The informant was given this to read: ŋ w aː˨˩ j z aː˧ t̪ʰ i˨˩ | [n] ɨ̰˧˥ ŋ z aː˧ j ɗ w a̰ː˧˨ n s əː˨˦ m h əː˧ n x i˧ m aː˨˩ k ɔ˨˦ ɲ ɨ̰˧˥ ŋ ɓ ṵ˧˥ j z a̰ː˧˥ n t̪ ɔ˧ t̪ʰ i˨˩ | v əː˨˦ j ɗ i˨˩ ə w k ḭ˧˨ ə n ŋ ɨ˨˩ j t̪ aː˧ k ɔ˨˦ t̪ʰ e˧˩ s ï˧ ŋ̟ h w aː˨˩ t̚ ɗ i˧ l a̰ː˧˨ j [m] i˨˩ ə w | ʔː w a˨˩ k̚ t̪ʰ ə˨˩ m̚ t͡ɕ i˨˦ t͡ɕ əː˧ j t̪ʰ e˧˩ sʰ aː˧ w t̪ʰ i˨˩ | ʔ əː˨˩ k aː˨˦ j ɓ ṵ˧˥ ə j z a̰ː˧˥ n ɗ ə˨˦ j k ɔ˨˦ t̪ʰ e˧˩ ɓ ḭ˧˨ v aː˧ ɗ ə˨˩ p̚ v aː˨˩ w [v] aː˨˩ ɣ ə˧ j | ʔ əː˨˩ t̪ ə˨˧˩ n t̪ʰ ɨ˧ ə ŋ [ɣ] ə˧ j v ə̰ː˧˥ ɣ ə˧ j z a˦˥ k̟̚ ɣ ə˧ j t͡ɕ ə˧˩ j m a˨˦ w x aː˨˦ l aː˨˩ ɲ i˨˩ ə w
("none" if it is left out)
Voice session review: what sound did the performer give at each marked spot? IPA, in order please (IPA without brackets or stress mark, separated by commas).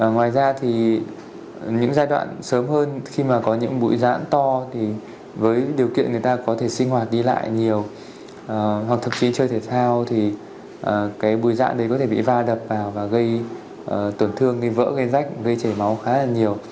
ɲ, ɲ, v, ɣ